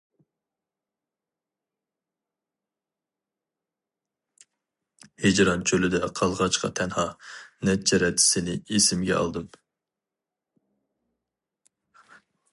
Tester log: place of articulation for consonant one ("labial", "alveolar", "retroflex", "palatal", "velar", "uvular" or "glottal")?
glottal